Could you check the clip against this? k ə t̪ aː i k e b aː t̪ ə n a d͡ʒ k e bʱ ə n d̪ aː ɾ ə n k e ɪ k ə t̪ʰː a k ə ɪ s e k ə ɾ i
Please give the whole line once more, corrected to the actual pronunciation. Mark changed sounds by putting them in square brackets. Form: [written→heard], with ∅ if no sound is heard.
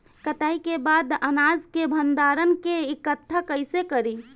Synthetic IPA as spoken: k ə t̪ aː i k e b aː [t̪→d̪] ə n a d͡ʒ k e bʱ ə n d̪ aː ɾ ə n k e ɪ k ə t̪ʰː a k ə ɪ s e k ə ɾ i